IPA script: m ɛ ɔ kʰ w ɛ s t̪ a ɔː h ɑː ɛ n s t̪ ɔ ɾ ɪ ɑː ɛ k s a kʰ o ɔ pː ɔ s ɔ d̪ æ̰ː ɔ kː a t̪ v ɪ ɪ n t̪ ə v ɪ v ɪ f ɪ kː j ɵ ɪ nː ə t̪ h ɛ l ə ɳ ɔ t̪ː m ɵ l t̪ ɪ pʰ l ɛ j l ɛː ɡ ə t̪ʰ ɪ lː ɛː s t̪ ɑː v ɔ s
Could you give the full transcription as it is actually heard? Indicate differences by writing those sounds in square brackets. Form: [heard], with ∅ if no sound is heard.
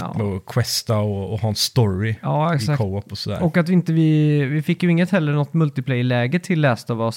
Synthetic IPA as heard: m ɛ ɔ kʰ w ɛ s t̪ a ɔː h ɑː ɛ n s t̪ ɔ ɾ ɪ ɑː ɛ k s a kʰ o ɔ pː ɔ s ɔ d̪ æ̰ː ɔ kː a t̪ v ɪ ɪ n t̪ ə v ɪ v ɪ f ɪ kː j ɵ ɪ [ŋː] ə t̪ h ɛ [lː] ə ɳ ɔ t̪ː m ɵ l t̪ ɪ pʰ l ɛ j l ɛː ɡ ə t̪ʰ ɪ lː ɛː s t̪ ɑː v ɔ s